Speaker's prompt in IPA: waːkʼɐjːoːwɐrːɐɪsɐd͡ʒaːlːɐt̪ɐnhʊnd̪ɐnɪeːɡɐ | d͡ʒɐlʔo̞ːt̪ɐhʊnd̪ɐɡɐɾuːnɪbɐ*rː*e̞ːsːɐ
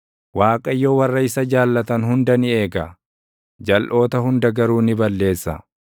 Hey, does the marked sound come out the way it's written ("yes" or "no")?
no